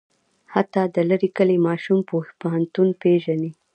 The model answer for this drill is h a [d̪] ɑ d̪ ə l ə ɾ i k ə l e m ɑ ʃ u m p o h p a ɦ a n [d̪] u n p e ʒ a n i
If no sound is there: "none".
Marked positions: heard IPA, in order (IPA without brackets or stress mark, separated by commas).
t̪, t̪